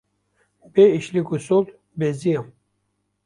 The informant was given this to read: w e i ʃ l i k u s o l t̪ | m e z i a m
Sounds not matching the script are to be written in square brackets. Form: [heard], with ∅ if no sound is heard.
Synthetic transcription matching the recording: [b] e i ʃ l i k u s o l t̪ | [b] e z i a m